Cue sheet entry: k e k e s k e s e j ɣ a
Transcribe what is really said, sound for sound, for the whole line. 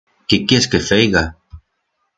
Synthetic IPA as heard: k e k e s k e f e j ɣ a